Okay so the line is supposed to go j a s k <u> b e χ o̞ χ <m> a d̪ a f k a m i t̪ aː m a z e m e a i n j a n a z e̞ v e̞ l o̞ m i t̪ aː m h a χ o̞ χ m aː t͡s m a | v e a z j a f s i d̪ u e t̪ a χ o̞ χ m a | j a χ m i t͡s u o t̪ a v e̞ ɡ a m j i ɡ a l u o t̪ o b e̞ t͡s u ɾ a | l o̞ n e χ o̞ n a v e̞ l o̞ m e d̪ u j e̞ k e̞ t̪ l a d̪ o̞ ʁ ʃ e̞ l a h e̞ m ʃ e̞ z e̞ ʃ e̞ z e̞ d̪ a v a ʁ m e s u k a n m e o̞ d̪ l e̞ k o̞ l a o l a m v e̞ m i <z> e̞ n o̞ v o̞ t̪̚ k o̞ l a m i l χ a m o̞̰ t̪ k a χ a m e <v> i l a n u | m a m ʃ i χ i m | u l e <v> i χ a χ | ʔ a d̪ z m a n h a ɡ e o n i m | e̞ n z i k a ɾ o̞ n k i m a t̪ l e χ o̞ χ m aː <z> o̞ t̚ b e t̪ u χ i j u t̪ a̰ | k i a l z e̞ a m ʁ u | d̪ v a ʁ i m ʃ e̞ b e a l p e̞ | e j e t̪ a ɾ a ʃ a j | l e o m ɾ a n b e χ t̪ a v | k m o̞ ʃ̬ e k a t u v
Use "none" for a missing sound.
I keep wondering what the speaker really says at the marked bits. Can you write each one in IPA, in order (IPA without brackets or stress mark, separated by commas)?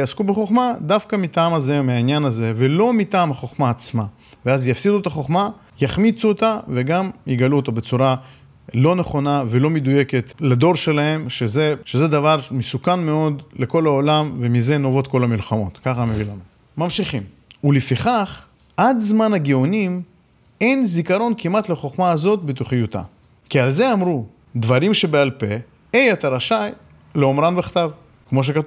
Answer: u, m, z, v, f, z